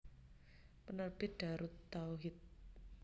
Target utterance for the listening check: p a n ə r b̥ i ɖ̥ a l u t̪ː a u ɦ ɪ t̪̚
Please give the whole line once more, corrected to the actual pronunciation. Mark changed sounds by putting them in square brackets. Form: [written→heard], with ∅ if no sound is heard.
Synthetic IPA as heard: p [a→ə] n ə r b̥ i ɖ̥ a [l→ɾ] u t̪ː a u ɦ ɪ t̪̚

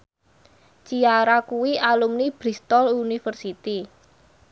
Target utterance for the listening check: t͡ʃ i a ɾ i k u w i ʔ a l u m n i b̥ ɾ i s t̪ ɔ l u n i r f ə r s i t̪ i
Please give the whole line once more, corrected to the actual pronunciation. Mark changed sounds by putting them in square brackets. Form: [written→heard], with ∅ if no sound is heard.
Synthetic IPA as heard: t͡ʃ i a ɾ [i→a] k u w i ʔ a l u m n i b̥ ɾ i s t̪ ɔ l u n i [r→∅] f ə r s i t̪ i

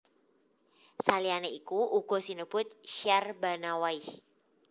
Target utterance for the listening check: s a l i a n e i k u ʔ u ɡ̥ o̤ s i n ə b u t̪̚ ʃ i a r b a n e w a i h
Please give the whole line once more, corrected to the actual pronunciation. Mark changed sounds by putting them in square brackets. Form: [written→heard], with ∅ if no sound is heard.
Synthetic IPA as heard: s a l i a n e i k u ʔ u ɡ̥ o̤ s i n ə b [u→ʊ] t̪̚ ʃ i a r b a n [e→a] w a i h

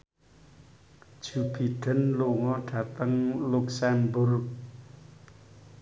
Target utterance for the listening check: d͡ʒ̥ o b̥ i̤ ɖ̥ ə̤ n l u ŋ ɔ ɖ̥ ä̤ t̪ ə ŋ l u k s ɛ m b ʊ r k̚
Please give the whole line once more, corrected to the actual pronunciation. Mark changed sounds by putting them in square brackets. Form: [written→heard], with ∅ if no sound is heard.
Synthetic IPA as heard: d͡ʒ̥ [o→u] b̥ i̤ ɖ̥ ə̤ n l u ŋ ɔ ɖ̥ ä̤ t̪ ə ŋ l u k s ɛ m b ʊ r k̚

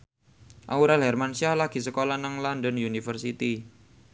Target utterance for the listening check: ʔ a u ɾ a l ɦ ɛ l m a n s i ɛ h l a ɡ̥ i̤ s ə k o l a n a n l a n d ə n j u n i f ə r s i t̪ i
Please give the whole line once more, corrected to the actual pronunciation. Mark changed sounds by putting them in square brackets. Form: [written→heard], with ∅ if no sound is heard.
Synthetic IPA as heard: ʔ a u ɾ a l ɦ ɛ [l→r] m a n s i [ɛ→a] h l a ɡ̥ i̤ s ə k o l a n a [n→ŋ] l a n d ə n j u n i f ə r s i t̪ i

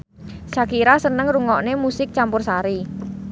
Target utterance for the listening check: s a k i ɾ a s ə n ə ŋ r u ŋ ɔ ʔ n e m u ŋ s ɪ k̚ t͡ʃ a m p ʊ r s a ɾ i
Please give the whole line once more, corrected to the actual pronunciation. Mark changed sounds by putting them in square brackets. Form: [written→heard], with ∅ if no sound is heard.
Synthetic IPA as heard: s a k i ɾ a s ə n ə ŋ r u ŋ ɔ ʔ n e m u [ŋ→∅] s ɪ k̚ t͡ʃ a m p ʊ r s a ɾ i

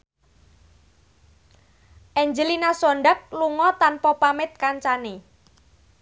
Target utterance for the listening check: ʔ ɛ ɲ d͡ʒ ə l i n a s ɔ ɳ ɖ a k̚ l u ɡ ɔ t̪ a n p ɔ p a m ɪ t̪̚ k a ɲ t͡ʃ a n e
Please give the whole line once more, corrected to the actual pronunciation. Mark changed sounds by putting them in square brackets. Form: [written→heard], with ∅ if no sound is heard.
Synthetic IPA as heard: ʔ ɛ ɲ d͡ʒ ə l i n a s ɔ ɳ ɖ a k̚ l u [ɡ→ŋ] ɔ t̪ a n p ɔ p a m ɪ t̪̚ k a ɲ t͡ʃ a n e

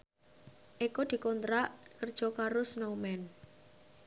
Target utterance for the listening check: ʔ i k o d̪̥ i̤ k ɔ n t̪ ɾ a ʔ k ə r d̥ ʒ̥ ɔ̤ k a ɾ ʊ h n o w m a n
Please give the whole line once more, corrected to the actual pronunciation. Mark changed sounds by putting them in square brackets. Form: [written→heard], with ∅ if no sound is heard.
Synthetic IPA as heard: ʔ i k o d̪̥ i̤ k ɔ n t̪ ɾ a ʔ k ə r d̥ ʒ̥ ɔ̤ k a ɾ ʊ [h→s] n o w m [a→ɛ] n

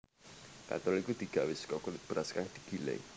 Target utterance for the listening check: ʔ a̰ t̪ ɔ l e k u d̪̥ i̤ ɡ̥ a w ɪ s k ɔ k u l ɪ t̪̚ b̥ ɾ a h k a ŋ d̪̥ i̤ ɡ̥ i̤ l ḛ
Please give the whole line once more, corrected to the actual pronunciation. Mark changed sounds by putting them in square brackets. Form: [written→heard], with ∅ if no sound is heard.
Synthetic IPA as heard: [ʔ→k] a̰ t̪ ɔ l [e→i] k u d̪̥ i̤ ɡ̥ a w ɪ s k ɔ k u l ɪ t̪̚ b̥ ɾ a [h→s] k a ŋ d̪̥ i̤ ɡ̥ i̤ l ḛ

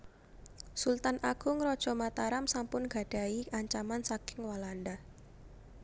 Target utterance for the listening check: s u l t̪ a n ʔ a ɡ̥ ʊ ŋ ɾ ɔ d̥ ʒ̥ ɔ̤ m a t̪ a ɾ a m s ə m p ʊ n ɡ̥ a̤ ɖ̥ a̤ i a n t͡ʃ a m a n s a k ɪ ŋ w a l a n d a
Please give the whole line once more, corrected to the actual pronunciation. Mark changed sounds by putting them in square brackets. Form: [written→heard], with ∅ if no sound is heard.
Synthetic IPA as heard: s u l t̪ a n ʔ a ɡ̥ ʊ ŋ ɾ ɔ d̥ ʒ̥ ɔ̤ m a t̪ a ɾ a m s [ə→a] m p ʊ n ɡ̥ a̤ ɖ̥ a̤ i a [n→ɲ] t͡ʃ a m a n s a k ɪ ŋ w a l a n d a

